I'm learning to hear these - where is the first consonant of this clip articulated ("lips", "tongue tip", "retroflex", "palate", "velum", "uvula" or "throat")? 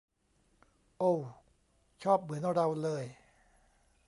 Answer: throat